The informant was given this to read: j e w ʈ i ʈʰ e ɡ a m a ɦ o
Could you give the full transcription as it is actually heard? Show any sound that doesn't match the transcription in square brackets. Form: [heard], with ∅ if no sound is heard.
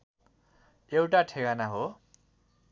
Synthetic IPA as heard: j e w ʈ [a] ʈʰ e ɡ a [n] a ɦ o